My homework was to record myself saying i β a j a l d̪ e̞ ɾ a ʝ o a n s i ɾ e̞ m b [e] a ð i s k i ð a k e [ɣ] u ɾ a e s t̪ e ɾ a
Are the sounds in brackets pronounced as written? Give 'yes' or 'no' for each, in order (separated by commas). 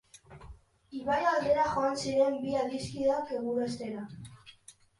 no, yes